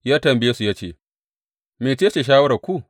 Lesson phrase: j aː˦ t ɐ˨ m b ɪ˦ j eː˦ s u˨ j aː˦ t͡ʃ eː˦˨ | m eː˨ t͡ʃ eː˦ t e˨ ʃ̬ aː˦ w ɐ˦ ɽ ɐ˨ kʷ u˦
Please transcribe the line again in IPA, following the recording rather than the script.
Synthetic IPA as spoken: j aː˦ t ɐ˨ m b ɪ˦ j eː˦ s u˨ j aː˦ t͡ʃ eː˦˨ | m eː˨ t͡ʃ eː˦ t͡ʃ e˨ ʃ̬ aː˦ w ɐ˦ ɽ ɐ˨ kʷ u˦

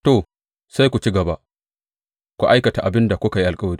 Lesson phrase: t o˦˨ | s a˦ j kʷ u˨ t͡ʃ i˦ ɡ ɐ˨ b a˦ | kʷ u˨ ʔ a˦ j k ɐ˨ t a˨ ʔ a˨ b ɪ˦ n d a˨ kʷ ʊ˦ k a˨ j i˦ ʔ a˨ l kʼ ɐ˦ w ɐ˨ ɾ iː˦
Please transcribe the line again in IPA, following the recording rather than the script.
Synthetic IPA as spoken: t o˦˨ | s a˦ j kʷ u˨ t͡ʃ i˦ ɡ ɐ˨ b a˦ | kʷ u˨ ʔ a˦ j k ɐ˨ t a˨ ʔ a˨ b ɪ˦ n d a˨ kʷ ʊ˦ k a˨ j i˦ ʔ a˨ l kʼ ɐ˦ w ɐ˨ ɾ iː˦

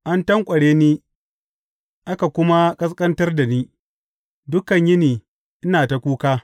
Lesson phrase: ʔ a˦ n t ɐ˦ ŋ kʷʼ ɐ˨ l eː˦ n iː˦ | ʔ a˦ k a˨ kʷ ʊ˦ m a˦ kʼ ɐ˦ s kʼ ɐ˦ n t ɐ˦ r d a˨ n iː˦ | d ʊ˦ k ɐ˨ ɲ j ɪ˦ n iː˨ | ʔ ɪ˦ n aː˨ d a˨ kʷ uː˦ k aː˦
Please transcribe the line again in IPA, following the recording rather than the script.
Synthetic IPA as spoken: ʔ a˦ n t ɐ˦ ŋ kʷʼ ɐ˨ ɽ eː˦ n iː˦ | ʔ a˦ k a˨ kʷ ʊ˦ m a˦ kʼ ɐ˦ s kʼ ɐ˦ n t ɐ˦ r d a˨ n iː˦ | d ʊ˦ k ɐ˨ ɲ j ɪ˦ n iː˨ | ʔ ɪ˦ n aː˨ t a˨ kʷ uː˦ k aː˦

